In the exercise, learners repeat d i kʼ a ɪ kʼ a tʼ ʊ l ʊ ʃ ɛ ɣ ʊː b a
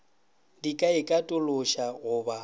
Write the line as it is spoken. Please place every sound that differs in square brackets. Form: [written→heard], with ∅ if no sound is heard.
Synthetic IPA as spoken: d i kʼ a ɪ kʼ a tʼ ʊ l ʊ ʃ [ɛ→a] ɣ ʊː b a